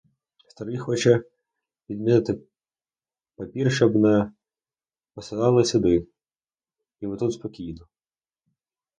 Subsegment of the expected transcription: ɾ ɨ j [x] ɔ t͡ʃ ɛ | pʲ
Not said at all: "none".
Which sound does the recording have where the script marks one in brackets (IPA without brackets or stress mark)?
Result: x